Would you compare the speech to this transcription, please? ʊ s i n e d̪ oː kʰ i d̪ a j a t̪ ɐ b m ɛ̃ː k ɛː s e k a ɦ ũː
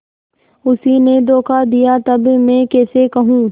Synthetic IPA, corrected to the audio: ʊ s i n e d̪ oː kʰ a d̪ i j a t̪ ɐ b m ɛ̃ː k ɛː s e k ɐ ɦ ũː